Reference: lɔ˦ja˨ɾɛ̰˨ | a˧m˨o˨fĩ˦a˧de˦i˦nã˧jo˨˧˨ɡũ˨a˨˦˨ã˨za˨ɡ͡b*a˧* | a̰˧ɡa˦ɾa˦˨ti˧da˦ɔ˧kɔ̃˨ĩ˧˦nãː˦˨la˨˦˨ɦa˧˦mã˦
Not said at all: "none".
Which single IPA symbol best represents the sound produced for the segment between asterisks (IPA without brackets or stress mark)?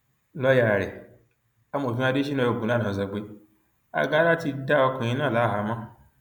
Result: e˧